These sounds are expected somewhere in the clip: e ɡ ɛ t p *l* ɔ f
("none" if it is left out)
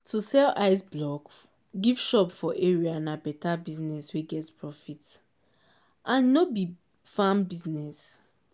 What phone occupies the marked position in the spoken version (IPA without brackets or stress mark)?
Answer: ɹ